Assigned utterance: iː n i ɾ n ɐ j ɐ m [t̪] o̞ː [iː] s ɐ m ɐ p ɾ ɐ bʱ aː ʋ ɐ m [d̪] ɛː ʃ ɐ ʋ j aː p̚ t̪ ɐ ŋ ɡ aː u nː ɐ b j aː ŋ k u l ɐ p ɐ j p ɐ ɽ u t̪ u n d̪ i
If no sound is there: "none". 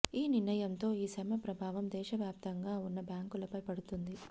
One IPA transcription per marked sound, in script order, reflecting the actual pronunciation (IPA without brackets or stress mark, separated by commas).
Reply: t̪, iː, d̪